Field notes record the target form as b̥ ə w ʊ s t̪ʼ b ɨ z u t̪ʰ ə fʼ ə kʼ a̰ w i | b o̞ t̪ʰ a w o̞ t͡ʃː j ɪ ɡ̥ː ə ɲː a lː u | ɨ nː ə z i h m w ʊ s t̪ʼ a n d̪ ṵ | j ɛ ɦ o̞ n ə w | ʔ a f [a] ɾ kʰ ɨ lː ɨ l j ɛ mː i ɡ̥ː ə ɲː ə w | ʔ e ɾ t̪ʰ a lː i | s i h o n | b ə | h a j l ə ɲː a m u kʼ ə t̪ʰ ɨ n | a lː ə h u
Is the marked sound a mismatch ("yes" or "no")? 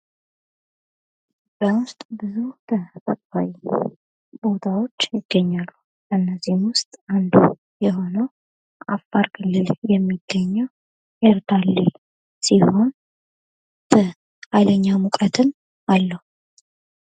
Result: no